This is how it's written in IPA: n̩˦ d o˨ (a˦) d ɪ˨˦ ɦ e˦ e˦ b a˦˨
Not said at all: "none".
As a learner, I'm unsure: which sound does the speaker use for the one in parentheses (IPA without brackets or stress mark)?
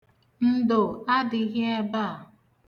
a˦